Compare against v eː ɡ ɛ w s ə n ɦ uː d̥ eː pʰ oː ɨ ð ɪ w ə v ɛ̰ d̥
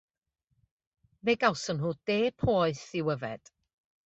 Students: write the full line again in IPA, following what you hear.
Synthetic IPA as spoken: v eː ɡ a w s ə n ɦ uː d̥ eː pʰ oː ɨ θ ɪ w ə v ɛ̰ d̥